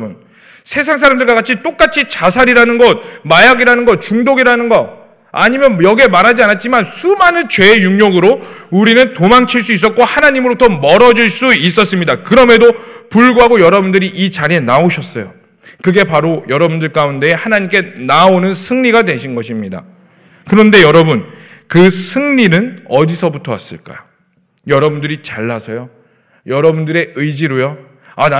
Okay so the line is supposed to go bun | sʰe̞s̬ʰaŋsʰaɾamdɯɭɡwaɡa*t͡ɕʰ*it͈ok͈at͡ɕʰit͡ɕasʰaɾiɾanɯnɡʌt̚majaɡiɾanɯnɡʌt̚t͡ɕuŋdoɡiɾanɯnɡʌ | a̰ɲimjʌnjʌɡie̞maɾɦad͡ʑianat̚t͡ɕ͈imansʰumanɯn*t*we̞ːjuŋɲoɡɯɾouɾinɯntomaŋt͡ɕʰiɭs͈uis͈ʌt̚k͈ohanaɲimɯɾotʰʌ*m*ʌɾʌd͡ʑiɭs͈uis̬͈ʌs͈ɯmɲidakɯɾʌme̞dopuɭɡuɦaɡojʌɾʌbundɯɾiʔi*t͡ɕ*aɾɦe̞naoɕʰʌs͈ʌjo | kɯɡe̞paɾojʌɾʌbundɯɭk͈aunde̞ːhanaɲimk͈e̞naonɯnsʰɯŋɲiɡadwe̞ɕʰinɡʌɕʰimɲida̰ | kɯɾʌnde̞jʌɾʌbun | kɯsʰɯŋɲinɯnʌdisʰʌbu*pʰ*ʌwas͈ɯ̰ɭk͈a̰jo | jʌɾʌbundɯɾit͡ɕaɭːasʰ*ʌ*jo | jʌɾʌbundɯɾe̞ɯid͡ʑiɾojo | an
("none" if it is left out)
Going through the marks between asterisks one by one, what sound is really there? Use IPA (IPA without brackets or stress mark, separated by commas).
t͡ɕʰ, t͡ɕ, m, t͡ɕ, tʰ, ʌ